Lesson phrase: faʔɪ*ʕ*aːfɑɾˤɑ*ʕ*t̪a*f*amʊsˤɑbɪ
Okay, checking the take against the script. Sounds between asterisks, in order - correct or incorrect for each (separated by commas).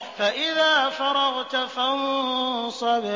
incorrect, incorrect, correct